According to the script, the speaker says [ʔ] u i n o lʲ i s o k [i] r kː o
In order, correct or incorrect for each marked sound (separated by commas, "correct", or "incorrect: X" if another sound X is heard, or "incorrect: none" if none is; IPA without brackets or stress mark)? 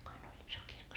incorrect: k, correct